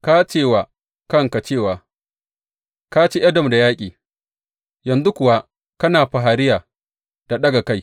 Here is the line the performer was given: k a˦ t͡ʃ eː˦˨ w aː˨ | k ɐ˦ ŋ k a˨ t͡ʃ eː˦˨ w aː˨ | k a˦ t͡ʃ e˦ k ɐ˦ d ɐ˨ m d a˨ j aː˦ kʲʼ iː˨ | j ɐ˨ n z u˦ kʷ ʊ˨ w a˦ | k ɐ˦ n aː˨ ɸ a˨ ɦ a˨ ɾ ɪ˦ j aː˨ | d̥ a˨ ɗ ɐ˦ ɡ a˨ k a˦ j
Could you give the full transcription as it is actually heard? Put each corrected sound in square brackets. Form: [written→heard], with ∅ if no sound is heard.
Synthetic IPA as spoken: k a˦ t͡ʃ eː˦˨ w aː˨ | k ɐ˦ ŋ k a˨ t͡ʃ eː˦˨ w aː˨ | k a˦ t͡ʃ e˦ [k→ʔ] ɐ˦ d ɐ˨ m d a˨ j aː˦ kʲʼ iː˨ | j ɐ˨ n z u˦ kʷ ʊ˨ w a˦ | k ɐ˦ n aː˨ ɸ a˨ ɦ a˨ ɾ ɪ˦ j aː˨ | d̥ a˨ ɗ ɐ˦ ɡ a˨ k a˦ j